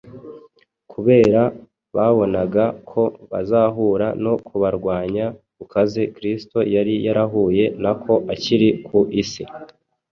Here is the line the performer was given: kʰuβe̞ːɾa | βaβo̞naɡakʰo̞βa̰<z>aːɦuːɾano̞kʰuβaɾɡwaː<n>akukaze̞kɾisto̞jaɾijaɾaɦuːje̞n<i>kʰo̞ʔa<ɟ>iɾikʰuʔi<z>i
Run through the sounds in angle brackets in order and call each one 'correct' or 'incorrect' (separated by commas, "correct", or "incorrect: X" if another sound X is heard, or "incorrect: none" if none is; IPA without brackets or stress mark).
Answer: correct, incorrect: ɲ, incorrect: a, incorrect: c, incorrect: s